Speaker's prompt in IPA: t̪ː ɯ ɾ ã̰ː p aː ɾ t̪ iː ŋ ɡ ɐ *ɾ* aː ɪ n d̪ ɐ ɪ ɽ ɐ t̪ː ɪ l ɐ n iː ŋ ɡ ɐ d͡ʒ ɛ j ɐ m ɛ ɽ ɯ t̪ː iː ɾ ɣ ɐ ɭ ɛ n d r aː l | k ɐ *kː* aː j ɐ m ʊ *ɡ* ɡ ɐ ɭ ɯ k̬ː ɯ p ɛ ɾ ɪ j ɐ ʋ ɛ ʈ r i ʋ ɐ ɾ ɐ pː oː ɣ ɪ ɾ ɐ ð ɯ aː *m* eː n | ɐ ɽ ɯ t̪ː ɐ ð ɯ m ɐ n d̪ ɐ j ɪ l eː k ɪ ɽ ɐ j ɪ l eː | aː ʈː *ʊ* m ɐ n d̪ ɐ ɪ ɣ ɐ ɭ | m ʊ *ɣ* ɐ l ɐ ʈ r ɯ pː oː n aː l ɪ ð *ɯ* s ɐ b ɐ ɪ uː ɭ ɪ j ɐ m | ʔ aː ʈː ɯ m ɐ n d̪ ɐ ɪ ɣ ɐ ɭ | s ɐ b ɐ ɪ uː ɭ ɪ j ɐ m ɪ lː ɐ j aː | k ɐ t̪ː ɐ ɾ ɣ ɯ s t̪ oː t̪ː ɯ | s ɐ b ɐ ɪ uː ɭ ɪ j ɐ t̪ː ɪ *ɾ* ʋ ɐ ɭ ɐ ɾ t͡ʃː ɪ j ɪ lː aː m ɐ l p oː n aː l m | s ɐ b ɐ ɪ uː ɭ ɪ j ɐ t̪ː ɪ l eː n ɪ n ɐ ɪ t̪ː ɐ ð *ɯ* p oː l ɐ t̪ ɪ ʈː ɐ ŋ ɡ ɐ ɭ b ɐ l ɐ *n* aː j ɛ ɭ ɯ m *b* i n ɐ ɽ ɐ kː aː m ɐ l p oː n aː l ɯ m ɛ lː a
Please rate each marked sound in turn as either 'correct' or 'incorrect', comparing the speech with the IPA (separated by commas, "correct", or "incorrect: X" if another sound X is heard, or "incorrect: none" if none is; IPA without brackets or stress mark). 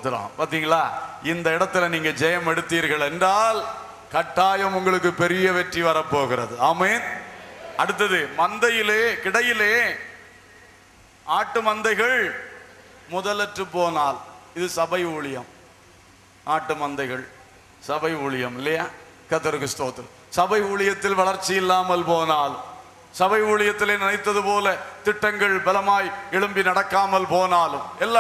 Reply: incorrect: ɭ, incorrect: ʈː, incorrect: ŋ, correct, incorrect: ɯ, incorrect: ð, correct, incorrect: l, correct, incorrect: m, correct